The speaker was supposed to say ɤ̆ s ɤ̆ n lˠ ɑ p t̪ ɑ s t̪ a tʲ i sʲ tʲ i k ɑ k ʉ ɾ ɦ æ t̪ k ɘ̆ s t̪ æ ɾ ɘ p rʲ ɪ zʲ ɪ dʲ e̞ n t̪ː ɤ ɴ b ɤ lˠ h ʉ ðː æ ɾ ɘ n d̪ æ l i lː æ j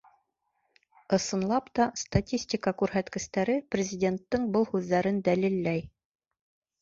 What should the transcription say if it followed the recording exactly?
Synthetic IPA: ɤ̆ s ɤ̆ n lˠ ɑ p t̪ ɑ s t̪ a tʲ i sʲ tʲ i k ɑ k ʉ ɾ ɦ æ t̪ k ɘ̆ s t̪ æ ɾ ɘ p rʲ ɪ zʲ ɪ dʲ e̞ n t̪ː ɤ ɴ b ɤ lˠ h ʉ ðː æ ɾ ɘ n d̪ æ l i lː æ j